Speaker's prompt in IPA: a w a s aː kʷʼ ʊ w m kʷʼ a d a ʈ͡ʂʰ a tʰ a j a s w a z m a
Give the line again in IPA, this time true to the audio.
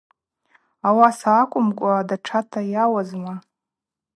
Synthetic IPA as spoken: a w a s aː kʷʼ ʊ m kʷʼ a d a ʈ͡ʂʰ a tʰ a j a w a z m a